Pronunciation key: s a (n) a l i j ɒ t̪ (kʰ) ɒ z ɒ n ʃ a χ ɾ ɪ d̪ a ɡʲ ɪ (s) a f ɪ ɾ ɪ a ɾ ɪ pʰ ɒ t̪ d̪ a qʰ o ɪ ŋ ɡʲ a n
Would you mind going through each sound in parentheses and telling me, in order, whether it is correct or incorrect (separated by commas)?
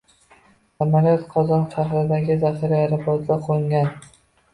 incorrect, incorrect, incorrect